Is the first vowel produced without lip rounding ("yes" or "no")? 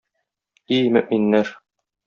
yes